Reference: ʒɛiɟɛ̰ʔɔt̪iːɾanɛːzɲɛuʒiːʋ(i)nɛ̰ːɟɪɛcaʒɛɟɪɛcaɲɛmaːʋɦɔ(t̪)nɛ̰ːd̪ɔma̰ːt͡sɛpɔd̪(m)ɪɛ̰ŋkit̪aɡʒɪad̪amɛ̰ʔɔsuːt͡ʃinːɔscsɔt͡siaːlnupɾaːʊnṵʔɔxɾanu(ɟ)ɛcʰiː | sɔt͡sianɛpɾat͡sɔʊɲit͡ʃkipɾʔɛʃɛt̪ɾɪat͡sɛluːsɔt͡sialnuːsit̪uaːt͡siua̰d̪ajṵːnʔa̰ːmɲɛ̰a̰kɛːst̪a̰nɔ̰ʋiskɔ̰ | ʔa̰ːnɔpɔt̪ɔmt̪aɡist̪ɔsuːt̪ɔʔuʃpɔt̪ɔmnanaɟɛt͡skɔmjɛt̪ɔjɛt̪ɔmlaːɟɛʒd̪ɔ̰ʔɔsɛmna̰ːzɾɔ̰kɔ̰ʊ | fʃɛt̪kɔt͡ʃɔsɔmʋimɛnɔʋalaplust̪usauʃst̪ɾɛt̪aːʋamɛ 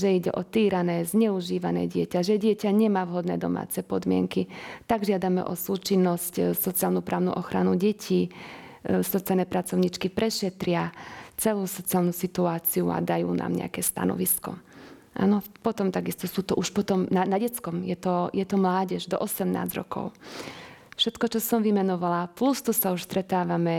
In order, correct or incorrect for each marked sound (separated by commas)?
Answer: incorrect, incorrect, correct, correct